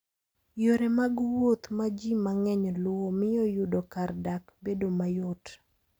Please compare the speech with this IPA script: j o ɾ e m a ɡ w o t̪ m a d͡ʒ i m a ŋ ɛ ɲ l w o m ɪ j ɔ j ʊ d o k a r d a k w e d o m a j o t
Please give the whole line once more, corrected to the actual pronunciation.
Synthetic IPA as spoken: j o ɾ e m a ɡ w o t̪ m a d͡ʒ i m a ŋ ɛ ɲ l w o m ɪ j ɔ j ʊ d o k a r d a k b e d o m a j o t